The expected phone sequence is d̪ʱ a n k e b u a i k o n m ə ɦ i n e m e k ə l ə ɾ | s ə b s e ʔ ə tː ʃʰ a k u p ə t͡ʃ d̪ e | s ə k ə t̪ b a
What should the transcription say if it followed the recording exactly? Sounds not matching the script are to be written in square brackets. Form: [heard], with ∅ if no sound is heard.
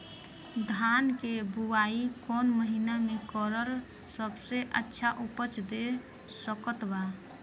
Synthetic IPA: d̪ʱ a n k e b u a i k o n m ə ɦ i n [a] m e k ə [ɾ] ə ɾ | s ə b s e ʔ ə tː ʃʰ a [ʔ] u p ə t͡ʃ d̪ e | s ə k ə t̪ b a